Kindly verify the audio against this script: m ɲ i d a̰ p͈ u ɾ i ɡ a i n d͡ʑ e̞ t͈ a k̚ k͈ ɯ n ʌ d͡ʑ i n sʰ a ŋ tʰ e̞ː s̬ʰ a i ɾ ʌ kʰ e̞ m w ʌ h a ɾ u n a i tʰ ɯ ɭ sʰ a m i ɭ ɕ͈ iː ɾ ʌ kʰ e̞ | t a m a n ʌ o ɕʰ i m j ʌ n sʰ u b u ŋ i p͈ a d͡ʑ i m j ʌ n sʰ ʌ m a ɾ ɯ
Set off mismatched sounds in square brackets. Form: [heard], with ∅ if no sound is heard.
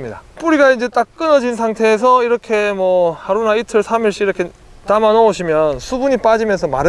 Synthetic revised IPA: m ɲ i d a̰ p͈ u ɾ i ɡ a i n d͡ʑ e̞ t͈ a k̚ k͈ ɯ n ʌ d͡ʑ i n sʰ a ŋ tʰ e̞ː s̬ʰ [ʌ] i ɾ ʌ kʰ e̞ m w ʌ h a ɾ u n a i tʰ ɯ ɭ sʰ a m i ɭ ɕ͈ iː ɾ ʌ kʰ e̞ | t a m a n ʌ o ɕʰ i m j ʌ n sʰ u b u [ɲ] i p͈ a d͡ʑ i m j ʌ n sʰ ʌ m a ɾ ɯ